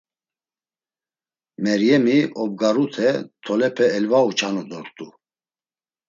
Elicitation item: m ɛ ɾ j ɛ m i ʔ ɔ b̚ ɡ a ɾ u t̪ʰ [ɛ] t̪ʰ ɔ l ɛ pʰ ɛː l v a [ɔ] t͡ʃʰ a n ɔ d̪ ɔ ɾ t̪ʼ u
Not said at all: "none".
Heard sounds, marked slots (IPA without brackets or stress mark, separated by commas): ɛ, u